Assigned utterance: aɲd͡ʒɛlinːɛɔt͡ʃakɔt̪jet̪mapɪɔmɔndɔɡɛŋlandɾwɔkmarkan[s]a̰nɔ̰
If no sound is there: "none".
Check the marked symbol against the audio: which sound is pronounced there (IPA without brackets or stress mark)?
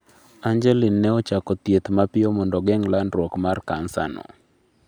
s